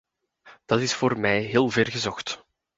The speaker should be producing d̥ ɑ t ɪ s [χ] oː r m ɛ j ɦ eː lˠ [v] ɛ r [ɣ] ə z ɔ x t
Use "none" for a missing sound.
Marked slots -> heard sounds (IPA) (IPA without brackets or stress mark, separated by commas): f, v, ɣ